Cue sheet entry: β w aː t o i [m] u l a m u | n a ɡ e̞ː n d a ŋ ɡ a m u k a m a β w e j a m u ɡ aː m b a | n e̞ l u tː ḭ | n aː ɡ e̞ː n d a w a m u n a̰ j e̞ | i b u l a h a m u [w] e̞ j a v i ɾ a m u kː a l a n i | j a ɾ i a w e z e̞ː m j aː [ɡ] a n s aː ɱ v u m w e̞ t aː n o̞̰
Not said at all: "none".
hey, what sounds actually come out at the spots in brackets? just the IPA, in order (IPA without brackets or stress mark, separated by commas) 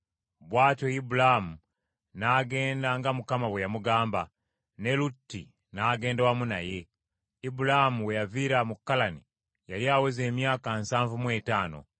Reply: b, w, k